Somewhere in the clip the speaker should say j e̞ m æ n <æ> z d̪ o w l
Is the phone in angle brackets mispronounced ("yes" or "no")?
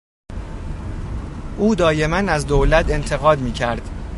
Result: no